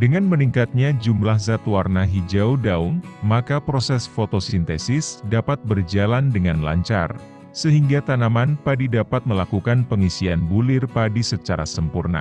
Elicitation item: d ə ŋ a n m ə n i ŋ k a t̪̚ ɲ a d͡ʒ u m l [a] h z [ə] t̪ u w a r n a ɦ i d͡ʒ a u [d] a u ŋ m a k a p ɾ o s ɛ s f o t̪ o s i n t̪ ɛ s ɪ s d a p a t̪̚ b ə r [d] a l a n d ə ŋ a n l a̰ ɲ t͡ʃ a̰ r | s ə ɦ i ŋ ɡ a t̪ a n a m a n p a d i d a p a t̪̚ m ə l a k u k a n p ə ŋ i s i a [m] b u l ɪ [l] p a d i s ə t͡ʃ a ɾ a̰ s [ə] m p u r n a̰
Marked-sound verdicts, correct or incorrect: correct, incorrect: a, correct, incorrect: d͡ʒ, incorrect: n, incorrect: r, correct

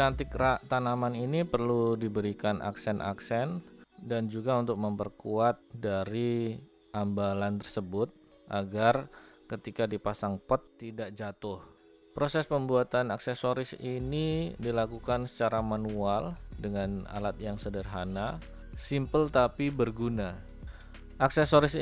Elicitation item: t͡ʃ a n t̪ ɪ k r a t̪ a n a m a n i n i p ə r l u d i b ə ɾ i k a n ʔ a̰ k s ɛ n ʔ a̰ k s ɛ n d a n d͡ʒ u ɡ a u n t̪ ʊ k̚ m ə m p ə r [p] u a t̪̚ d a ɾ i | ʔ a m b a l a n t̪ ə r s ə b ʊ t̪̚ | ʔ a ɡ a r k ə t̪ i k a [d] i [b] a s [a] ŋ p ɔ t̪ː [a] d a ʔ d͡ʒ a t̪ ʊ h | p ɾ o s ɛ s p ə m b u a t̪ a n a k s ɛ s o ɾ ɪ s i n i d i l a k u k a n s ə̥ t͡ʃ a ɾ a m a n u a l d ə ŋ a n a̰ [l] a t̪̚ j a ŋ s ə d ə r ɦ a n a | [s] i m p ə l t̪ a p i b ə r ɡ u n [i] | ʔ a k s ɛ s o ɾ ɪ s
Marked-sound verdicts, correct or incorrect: incorrect: k, correct, incorrect: p, correct, incorrect: i, correct, correct, incorrect: a

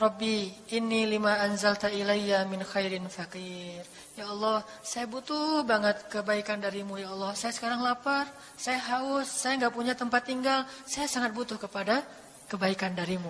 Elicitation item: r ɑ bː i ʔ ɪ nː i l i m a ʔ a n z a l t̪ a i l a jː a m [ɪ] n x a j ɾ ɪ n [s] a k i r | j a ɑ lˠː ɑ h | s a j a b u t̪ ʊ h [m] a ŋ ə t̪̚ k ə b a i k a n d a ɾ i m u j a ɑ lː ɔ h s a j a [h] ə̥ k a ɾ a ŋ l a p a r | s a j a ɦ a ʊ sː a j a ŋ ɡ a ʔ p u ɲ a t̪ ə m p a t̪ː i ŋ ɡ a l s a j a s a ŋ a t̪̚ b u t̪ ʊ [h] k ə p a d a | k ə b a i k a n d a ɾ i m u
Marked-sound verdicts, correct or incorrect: correct, incorrect: f, incorrect: b, incorrect: s, correct

